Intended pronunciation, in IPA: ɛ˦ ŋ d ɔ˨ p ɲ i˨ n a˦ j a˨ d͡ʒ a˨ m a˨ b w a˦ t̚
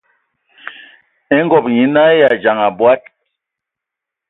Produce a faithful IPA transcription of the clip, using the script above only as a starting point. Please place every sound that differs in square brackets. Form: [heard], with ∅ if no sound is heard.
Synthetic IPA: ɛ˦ ŋ [ɡ] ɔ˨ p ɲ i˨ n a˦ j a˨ d͡ʒ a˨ [ŋ] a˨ b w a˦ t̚